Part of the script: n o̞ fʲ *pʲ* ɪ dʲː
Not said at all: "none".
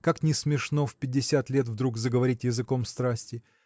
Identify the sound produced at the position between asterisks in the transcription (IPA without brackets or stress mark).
pʲ